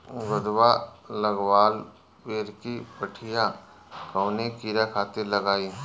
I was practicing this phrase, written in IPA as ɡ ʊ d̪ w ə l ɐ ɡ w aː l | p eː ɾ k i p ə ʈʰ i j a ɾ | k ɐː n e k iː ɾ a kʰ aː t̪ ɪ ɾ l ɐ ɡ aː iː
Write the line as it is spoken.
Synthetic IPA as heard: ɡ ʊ d̪ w a l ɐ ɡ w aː l | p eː ɾ k i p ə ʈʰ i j a | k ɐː n e k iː ɾ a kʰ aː t̪ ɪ ɾ l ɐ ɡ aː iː